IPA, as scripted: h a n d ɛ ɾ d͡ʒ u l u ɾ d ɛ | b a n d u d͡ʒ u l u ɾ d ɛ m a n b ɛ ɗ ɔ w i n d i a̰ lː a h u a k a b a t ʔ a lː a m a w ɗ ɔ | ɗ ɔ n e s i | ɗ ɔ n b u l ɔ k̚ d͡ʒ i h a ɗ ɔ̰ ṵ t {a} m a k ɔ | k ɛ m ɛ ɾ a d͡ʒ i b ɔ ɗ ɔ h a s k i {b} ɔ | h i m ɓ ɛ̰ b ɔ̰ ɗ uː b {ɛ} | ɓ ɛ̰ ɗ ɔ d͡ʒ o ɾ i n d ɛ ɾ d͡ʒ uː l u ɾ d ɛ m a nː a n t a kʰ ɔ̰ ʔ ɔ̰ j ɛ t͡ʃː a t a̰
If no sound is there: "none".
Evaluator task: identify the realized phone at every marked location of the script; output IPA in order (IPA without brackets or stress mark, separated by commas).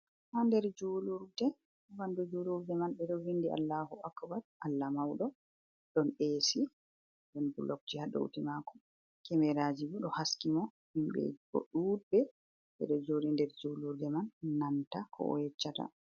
i, m, ɛ